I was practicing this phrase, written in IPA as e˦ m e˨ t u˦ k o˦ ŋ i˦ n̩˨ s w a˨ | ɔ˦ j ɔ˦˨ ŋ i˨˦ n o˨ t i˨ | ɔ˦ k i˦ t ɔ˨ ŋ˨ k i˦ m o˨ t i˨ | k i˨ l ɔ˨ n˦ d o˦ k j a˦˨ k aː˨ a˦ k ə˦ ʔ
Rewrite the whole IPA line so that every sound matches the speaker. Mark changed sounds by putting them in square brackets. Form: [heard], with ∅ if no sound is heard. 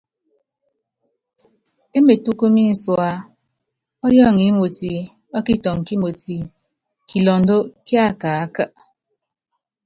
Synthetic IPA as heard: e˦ m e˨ t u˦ k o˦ [m] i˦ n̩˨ s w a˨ | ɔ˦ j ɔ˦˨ ŋ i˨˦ [m] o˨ t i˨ | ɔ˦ k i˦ t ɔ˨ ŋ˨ k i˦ m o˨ t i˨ | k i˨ l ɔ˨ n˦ d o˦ k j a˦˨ k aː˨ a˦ k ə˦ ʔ